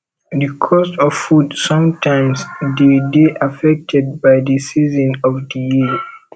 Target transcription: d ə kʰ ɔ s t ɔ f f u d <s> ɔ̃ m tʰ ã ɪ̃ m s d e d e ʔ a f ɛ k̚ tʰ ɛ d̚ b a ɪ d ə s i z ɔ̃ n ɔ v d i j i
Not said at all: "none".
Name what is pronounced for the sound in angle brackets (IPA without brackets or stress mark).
s